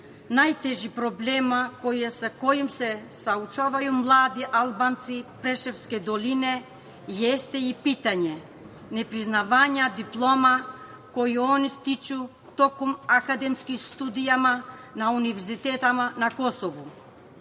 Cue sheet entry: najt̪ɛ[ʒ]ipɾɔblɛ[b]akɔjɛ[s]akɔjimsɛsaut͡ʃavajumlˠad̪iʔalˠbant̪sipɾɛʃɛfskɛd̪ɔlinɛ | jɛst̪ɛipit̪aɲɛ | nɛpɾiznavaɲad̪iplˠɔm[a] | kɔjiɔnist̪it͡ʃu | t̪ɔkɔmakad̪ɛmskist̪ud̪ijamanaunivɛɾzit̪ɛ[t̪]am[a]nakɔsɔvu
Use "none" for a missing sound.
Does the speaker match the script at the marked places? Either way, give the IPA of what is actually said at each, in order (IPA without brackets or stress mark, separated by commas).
ʒ, m, s, a, t̪, a